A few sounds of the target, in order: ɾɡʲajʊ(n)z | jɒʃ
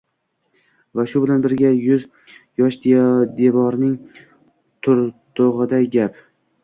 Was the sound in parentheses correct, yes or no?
no